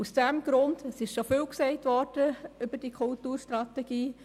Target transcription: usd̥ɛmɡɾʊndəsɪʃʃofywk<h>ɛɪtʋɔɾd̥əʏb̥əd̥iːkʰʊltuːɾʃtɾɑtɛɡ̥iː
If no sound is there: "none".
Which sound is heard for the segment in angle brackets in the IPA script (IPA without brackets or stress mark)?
s